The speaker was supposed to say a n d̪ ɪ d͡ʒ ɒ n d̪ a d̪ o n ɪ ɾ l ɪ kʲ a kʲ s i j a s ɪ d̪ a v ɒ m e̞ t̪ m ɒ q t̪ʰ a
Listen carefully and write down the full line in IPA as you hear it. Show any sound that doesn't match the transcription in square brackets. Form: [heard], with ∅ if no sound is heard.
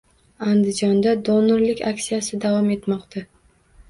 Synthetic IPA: a n d̪ ɪ d͡ʒ ɒ n d̪ a d̪ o n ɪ ɾ l ɪ kʲ a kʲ s i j a s ɪ d̪ a v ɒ m e̞ t̪ m ɒ q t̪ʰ a

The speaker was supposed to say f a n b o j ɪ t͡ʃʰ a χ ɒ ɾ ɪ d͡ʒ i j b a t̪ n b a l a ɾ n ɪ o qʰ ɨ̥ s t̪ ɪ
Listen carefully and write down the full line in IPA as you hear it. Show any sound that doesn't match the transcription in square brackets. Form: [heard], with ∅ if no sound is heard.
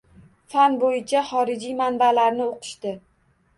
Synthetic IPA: f a n b o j ɪ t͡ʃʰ a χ ɒ ɾ ɪ d͡ʒ i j [m] a [∅] n b a l a ɾ n ɪ o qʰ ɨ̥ [ʃ] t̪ ɪ

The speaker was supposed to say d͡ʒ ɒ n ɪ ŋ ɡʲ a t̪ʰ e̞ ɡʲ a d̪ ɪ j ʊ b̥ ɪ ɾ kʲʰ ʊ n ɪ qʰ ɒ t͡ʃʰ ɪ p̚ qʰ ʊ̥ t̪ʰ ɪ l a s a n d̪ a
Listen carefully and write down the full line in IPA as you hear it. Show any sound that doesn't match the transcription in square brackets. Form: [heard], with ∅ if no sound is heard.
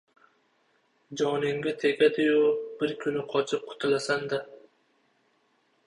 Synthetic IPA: d͡ʒ ɒ n ɪ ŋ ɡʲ a t̪ʰ e̞ ɡʲ a d̪ ɪ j ʊ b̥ ɪ ɾ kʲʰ ʊ n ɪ qʰ ɒ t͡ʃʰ ɪ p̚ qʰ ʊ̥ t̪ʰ ɪ l a s a n d̪ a

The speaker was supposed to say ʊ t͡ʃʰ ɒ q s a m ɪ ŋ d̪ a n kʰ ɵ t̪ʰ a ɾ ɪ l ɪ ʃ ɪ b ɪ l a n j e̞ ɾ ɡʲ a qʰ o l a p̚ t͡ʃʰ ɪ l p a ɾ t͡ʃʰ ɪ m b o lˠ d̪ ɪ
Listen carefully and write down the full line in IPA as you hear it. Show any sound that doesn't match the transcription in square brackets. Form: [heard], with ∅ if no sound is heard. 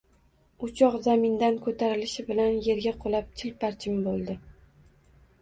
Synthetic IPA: ʊ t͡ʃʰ ɒ q [z] a m ɪ [n] d̪ a n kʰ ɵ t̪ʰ a ɾ ɪ l ɪ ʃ ɪ b ɪ l a n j e̞ ɾ ɡʲ a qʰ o l a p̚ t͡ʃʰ ɪ l p a ɾ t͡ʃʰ ɪ m b o lˠ d̪ ɪ

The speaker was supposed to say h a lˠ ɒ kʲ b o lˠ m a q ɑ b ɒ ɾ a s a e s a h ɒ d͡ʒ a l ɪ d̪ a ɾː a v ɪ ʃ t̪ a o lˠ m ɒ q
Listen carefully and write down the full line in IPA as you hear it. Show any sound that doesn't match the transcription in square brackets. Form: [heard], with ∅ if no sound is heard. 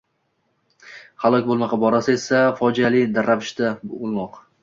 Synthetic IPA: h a lˠ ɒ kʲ b o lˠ m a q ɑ b ɒ ɾ a s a e s a [f] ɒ d͡ʒ a l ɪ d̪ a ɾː a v ɪ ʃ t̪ a o lˠ m ɒ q

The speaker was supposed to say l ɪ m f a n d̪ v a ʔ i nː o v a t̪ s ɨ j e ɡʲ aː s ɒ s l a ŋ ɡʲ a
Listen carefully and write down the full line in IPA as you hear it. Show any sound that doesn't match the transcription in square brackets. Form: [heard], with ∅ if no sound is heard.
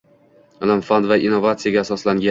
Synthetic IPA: l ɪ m f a n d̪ v a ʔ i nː o v a t̪ s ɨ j [a] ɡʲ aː s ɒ s l a ŋ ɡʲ a

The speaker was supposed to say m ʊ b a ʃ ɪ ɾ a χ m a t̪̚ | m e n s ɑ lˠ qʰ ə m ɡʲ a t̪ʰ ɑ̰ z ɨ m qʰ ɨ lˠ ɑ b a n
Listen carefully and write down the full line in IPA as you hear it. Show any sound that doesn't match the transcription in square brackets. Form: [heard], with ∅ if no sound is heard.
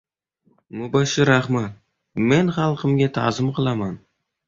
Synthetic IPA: m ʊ b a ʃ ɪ ɾ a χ m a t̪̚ | m e n [χ] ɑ lˠ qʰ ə m ɡʲ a t̪ʰ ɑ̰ z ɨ m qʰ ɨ lˠ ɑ [m] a n

